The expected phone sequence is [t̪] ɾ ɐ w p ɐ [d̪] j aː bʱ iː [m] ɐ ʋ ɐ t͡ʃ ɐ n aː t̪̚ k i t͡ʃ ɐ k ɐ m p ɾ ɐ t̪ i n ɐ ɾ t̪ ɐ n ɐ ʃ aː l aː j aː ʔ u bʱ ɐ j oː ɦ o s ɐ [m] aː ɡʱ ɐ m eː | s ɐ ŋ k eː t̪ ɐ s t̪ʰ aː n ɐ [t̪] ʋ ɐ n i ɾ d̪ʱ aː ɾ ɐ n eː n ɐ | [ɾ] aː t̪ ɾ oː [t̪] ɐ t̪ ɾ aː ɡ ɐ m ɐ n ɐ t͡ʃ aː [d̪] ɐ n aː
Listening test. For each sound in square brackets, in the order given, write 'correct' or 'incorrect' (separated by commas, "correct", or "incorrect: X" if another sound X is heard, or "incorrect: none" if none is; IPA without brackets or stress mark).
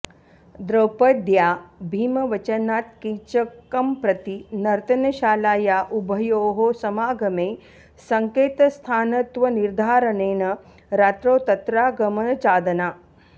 incorrect: d̪, correct, correct, correct, correct, correct, correct, correct